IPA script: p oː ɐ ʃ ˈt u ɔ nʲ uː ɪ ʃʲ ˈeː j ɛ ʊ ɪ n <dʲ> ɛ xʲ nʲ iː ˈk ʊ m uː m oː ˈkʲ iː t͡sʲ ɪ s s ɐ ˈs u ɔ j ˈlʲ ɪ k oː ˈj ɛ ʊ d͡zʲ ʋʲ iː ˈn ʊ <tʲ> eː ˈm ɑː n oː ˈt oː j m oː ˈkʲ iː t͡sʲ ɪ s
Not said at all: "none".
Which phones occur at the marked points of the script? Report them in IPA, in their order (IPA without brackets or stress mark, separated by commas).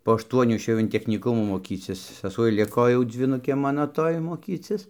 tʲ, kʲ